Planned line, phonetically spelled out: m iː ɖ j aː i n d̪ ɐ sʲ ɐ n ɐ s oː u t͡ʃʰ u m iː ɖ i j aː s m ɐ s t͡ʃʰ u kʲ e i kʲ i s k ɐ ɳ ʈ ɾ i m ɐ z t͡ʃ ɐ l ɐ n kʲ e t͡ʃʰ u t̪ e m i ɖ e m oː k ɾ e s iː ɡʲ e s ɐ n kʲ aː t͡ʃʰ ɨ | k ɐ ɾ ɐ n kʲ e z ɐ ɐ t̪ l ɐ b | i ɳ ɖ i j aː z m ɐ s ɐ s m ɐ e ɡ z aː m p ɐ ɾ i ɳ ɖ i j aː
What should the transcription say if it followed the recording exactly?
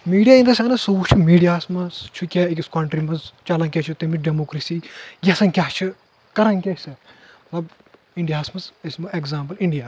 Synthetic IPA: m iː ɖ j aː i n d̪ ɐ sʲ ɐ n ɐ s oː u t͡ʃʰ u m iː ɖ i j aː s m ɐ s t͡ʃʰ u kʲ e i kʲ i s k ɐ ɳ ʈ ɾ i m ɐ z t͡ʃ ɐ l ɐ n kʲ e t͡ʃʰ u t̪ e m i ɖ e m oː k ɾ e s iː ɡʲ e s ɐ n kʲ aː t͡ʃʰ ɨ | k ɐ ɾ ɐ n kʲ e s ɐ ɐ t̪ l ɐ b | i ɳ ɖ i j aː s m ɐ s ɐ s m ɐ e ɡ z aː m p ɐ l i ɳ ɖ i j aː

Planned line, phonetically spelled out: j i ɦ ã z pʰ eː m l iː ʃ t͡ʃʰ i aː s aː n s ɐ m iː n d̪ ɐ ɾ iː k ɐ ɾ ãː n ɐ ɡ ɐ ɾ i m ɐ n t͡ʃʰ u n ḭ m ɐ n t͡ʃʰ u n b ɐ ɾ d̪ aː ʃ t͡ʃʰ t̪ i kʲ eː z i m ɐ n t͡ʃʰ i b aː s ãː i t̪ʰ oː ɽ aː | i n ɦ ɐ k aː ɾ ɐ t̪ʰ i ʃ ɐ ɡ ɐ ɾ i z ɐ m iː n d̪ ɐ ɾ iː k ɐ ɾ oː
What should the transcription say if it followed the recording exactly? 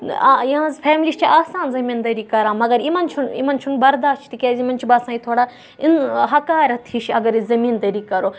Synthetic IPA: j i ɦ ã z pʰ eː m l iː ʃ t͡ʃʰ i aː s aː n z ɐ m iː n d̪ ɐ ɾ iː k ɐ ɾ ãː m ɐ ɡ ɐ ɾ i m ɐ n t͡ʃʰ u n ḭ m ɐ n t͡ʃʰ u n b ɐ ɾ d̪ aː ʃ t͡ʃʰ t̪ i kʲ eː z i m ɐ n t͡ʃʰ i b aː s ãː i t̪ʰ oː ɽ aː | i n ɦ ɐ k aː ɾ ɐ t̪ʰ i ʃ ɐ ɡ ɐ ɾ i z ɐ m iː n d̪ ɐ ɾ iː k ɐ ɾ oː

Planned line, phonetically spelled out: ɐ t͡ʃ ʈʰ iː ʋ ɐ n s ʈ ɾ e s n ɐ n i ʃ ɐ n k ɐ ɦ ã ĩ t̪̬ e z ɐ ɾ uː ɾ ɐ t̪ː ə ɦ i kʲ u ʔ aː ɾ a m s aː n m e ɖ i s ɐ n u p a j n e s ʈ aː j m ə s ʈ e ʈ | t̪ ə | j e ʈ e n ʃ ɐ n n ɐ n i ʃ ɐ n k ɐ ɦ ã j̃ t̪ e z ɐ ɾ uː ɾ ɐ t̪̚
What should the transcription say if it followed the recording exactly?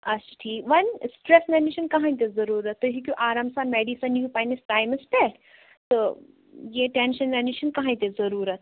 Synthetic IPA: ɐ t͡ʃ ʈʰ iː ʋ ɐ n s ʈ ɾ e s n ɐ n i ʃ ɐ n k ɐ ɦ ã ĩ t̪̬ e z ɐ ɾ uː ɾ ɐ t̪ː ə ɦ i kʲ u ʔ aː ɾ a m s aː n m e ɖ i s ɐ n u p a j n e s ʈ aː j m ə s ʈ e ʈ | t̪ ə | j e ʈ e n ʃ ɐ n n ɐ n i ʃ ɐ n k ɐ ɦ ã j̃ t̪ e z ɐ ɾ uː ɾ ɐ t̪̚

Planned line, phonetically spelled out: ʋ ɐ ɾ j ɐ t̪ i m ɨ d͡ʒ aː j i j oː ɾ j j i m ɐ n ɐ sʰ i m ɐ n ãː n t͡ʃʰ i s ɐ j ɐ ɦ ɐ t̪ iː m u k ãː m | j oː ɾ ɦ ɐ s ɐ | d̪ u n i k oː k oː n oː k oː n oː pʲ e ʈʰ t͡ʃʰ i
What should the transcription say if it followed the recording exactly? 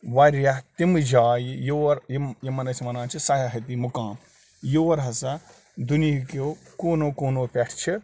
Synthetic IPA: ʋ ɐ ɾ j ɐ t̪ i m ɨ d͡ʒ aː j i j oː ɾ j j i m ɐ n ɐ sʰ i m ɐ n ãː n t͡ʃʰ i s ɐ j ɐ ɦ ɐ t̪ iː m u k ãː m | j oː ɾ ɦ ɐ s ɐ | d̪ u n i k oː k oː n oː k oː n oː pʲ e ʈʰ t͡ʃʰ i

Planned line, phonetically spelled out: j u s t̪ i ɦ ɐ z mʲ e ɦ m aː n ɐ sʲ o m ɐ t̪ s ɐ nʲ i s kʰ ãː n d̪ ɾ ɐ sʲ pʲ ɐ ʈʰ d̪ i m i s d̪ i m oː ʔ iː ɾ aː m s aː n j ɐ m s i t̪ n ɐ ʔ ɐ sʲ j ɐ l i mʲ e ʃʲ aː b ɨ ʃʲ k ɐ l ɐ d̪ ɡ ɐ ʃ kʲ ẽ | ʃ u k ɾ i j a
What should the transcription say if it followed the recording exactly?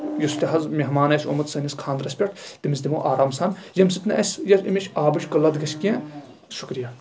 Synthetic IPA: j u s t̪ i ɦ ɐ z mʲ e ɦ m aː n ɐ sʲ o m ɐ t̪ s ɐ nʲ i s kʰ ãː n d̪ ɾ ɐ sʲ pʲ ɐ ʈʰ t̪ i m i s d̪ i m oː ʔ aː ɾ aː m s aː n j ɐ m s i t̪ n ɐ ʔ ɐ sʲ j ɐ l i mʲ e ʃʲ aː b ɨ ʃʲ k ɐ l ɐ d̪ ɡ ɐ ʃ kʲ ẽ | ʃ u k ɾ i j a

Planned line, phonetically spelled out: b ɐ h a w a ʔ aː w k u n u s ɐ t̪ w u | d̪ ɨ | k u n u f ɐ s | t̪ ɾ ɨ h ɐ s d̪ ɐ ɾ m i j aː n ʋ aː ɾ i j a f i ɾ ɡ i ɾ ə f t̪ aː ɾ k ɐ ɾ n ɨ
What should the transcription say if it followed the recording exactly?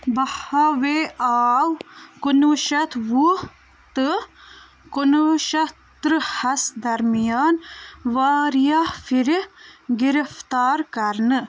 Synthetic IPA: b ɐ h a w e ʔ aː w k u n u ʃ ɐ t̪ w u | t̪ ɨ | k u n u ʃ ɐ | t̪ ɾ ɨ h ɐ s d̪ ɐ ɾ m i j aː n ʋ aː ɾ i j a f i ɾ ɡ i ɾ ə f t̪ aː ɾ k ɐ ɾ n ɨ

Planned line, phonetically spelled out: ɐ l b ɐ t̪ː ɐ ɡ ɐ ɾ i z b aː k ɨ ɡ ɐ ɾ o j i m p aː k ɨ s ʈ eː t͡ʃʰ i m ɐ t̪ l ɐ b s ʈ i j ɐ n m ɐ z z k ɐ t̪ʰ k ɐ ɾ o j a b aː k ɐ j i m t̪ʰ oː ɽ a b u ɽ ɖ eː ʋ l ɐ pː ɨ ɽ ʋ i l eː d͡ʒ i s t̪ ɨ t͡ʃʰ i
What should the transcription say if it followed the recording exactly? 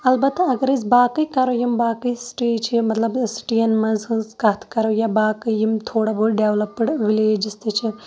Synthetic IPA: ɐ l b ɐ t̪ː ɐ ɡ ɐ ɾ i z b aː k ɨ k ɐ ɾ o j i m b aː k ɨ s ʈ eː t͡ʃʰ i m ɐ t̪ l ɐ b s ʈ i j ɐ n m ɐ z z k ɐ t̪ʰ k ɐ ɾ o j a b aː k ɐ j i m t̪ʰ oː ɽ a b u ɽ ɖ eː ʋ l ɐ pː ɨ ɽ ʋ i l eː d͡ʒ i s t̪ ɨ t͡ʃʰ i

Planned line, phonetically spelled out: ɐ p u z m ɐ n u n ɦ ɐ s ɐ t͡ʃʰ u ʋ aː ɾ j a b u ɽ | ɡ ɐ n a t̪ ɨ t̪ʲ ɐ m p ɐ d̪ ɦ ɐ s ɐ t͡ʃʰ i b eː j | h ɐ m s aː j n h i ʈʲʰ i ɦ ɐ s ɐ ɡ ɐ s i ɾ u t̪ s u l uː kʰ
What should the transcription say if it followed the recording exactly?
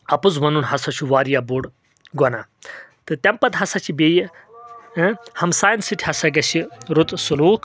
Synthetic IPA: ɐ p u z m ɐ n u n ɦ ɐ s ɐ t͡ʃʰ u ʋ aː ɾ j a b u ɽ | ɡ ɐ n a t̪ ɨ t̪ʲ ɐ m p ɐ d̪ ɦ ɐ s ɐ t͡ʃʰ i b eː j | h ɐ m s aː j n s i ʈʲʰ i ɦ ɐ s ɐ ɡ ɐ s i ɾ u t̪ s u l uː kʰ

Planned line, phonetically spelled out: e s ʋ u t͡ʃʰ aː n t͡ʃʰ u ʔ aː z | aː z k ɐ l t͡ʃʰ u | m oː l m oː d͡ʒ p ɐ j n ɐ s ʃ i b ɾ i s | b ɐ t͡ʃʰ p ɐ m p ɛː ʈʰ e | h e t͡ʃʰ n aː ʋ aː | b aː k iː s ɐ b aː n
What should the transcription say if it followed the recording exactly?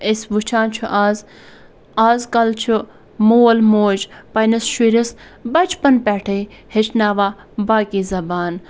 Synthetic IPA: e s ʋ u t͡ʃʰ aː n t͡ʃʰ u ʔ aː z | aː z k ɐ l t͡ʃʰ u | m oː l m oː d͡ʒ p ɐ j n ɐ s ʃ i ɾ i s | b ɐ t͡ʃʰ p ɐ n p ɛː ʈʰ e | h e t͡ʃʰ n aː ʋ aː | b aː k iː z ɐ b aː n

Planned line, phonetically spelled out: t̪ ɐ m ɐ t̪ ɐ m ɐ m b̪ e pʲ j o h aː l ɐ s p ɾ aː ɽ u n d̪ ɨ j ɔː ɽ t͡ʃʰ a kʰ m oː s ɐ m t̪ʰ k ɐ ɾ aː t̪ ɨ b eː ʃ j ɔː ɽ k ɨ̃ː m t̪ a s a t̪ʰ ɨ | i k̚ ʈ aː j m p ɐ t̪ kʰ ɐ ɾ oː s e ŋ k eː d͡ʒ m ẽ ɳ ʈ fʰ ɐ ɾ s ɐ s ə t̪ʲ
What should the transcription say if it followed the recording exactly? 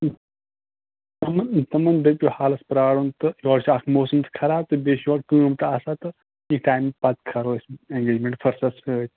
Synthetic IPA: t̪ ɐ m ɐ t̪ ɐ m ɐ n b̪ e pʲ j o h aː l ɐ s p ɾ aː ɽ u n t̪ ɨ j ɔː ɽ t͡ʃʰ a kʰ m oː s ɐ m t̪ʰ kʰ ɐ ɾ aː t̪ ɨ b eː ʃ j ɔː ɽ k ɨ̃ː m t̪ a s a t̪ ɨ | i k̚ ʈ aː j m p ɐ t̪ kʰ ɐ ɾ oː s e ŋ ɡ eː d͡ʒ m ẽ ɳ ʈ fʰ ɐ ɾ s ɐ s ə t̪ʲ

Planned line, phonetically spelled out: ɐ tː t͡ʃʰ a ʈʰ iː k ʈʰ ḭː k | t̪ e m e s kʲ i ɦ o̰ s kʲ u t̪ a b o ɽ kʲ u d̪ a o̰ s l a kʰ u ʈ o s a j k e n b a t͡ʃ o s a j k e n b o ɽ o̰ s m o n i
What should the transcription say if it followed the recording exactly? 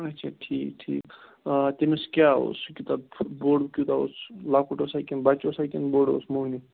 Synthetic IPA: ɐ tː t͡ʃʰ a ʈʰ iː k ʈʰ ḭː k | t̪ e m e s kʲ a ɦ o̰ s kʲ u t̪ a b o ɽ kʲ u t̪ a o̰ s l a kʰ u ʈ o s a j k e n b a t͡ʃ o s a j k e n b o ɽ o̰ s m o n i

